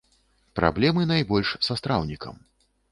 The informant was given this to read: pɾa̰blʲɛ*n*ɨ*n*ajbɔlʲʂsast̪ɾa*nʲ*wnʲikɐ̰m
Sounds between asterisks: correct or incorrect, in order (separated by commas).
incorrect, correct, incorrect